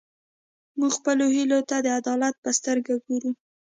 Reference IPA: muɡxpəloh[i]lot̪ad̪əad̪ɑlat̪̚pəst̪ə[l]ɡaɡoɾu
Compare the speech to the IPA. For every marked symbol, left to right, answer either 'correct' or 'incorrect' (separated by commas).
correct, incorrect